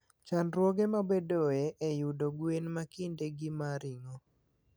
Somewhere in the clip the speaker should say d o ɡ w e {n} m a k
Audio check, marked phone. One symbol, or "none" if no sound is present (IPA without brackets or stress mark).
n